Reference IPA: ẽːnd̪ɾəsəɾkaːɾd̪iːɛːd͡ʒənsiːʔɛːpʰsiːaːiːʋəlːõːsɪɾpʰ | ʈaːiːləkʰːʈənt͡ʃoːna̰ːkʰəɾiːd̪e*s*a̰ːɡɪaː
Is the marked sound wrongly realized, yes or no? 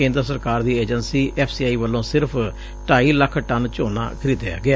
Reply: yes